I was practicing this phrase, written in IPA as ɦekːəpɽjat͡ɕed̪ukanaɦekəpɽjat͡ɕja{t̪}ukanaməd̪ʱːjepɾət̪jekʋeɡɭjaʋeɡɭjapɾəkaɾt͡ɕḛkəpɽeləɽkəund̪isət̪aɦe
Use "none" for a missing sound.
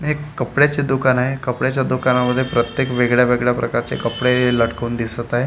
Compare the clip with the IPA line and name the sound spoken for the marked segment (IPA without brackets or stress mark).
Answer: d̪